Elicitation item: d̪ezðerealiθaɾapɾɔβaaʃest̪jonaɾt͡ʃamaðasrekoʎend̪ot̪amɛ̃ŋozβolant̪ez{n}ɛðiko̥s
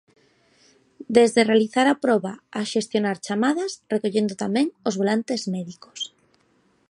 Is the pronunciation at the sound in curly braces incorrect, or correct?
incorrect